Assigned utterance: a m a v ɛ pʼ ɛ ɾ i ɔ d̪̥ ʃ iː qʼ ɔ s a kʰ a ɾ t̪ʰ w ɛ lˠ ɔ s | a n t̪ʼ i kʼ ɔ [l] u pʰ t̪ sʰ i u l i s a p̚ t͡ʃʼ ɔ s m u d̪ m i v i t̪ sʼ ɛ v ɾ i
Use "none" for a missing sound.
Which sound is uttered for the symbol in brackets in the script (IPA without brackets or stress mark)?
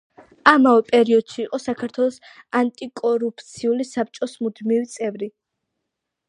ɾ